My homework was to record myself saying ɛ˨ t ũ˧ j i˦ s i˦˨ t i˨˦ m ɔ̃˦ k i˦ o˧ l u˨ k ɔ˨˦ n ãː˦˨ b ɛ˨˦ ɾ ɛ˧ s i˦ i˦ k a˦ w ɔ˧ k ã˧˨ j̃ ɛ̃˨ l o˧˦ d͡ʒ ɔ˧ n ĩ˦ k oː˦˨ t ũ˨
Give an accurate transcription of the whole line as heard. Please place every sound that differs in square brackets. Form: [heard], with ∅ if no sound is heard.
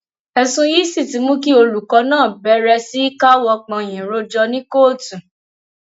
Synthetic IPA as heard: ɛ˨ [s] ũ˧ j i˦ s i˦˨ t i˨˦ m [ũ˦] k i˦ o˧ l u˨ k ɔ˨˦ n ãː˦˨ b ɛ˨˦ ɾ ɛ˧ s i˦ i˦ k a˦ w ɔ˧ [k͡p] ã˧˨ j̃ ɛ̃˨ [ɾ] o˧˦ d͡ʒ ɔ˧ n ĩ˦ k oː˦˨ t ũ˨